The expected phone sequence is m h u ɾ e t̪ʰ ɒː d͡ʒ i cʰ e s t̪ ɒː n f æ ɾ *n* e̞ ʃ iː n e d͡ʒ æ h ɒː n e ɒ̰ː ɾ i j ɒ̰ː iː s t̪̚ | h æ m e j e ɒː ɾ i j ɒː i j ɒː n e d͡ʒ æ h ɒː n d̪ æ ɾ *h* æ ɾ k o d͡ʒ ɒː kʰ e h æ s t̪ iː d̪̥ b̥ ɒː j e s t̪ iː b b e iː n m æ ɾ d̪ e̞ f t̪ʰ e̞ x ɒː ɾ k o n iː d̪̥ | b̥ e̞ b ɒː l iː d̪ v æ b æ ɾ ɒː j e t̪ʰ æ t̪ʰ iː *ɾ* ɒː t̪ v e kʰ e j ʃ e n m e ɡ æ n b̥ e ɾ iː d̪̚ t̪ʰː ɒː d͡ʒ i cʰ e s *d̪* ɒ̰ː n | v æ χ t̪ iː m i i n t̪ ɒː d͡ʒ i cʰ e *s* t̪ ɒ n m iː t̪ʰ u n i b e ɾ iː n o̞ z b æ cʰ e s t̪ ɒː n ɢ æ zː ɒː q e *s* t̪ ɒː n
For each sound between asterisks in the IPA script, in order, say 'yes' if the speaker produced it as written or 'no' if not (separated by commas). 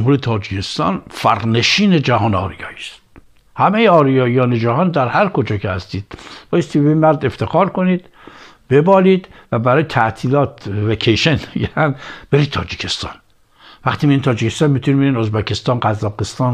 yes, yes, no, no, yes, yes